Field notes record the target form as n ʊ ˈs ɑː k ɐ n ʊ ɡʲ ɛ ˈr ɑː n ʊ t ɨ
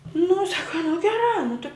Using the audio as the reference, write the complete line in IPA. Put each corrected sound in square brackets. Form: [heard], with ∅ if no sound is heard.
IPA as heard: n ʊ ˈs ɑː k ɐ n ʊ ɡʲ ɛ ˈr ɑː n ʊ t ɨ